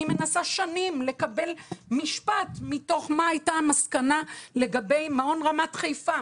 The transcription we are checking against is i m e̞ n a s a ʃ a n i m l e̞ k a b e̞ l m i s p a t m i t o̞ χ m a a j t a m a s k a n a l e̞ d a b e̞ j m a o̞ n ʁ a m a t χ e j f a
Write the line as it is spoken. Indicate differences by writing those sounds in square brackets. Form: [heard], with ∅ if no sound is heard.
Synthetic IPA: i m e̞ n a s a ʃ a n i m l e̞ k a b e̞ l m i [ʃ] p a t m i t o̞ χ m a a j t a m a s k a n a l e̞ [ɡ] a b e̞ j m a o̞ n ʁ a m a t χ e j f a